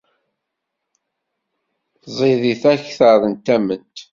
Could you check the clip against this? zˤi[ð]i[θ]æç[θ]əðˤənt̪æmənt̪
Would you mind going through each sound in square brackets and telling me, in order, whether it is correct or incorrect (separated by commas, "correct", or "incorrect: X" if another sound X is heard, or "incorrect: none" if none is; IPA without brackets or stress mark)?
correct, correct, correct